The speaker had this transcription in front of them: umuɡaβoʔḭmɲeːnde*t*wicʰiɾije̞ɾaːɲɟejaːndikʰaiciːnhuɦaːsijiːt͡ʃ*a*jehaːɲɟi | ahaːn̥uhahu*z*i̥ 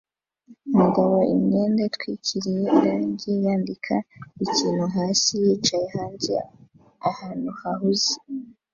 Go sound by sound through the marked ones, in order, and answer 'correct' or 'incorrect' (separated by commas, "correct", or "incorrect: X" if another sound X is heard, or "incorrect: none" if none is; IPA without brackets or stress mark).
correct, correct, correct